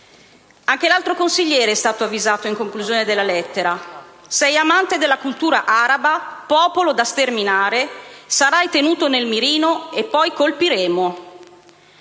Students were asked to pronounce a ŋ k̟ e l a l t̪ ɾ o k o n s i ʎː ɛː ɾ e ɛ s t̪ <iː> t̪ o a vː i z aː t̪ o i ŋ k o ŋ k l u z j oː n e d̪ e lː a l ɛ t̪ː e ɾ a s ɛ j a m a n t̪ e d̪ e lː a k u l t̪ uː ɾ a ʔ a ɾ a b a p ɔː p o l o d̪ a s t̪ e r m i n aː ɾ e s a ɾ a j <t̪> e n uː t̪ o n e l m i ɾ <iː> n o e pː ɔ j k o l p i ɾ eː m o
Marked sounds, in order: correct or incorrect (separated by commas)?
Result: incorrect, correct, correct